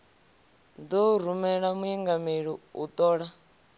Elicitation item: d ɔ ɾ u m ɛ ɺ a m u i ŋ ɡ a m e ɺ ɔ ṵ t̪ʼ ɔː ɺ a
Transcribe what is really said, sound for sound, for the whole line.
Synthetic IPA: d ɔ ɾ u m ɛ ɺ a m u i ŋ ɡ a m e ɺ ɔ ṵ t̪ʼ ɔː ɺ a